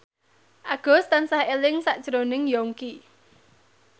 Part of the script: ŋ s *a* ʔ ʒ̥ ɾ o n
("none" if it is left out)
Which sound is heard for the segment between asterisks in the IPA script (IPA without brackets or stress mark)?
a